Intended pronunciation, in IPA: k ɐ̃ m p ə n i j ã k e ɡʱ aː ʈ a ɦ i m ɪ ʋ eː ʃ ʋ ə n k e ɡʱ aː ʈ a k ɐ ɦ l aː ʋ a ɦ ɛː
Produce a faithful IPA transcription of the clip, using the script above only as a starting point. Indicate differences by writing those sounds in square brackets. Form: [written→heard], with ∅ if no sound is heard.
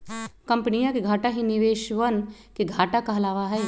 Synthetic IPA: k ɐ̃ m p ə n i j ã k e ɡʱ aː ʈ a ɦ i [m→n] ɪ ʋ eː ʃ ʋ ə n k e ɡʱ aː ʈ a k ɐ ɦ l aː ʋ a ɦ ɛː